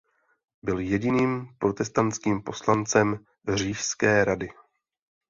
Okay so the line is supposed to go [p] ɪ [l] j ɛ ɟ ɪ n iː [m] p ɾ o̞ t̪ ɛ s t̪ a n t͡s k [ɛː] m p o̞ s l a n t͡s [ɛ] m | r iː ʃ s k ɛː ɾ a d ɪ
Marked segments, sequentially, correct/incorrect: incorrect, correct, correct, incorrect, correct

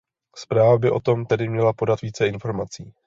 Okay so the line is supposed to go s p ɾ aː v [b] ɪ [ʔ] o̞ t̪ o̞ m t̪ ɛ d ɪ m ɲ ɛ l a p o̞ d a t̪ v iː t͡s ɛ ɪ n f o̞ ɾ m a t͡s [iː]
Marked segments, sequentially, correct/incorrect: correct, correct, correct

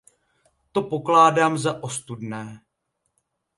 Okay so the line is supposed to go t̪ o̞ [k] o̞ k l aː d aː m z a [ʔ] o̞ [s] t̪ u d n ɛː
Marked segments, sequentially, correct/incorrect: incorrect, correct, correct

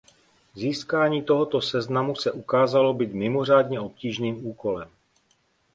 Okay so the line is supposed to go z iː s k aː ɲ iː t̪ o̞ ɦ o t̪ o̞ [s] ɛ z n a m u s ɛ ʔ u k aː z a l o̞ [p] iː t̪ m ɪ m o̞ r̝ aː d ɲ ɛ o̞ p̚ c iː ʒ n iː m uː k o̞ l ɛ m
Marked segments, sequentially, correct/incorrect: correct, incorrect

